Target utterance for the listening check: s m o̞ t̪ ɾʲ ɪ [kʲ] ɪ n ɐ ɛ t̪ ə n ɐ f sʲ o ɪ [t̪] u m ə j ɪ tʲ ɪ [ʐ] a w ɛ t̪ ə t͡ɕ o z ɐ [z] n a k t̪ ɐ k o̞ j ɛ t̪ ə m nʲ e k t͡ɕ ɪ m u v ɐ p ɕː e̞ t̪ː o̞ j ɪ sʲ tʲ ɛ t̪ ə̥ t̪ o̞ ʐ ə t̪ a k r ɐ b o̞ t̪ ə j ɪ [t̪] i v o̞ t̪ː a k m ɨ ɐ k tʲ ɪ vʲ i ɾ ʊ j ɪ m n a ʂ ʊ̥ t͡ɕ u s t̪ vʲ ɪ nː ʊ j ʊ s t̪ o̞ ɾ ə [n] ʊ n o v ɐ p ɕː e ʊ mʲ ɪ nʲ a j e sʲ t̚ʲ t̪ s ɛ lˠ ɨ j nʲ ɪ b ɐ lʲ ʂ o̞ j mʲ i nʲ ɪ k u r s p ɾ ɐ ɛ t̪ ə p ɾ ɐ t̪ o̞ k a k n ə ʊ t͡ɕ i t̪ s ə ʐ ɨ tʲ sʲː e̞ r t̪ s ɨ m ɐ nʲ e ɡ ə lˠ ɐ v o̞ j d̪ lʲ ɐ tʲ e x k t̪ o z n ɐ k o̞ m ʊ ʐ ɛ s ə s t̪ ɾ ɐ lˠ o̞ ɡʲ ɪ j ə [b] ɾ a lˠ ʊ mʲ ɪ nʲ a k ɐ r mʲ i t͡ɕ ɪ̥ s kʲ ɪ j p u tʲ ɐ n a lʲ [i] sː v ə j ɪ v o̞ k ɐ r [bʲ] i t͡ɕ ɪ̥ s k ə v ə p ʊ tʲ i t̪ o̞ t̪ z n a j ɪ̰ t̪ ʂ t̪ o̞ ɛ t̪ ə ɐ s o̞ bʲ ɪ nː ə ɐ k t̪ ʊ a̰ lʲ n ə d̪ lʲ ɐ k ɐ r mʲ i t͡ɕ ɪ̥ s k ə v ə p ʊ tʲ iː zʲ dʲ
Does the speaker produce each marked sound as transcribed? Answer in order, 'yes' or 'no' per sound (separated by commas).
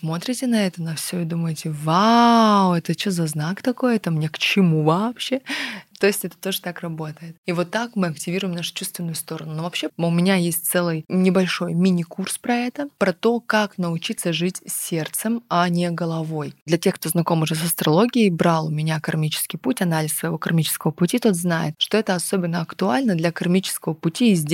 no, no, no, yes, yes, yes, yes, no, no